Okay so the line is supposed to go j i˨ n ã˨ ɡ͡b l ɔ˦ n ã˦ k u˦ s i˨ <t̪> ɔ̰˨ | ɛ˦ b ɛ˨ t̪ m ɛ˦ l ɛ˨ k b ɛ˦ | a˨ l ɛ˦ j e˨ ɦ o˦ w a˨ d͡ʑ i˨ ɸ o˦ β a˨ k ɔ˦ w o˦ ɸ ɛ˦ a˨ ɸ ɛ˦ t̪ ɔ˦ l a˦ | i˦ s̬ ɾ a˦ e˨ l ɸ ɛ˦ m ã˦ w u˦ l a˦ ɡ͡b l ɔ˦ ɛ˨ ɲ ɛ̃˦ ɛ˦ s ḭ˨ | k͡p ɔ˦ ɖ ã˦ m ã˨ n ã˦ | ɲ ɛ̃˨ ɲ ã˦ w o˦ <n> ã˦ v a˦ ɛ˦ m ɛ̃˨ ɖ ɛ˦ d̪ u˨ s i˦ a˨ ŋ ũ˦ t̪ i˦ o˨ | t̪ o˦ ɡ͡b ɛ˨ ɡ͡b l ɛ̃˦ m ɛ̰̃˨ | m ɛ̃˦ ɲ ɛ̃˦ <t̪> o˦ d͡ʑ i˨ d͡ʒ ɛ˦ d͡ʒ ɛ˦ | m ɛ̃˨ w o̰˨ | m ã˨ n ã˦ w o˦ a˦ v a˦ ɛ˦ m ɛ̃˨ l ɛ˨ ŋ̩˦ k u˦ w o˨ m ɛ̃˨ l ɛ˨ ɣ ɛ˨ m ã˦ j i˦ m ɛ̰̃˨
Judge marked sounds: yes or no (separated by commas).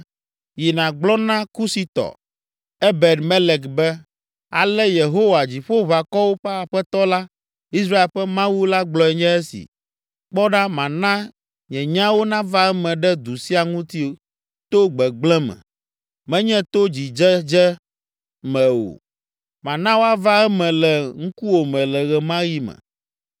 yes, yes, yes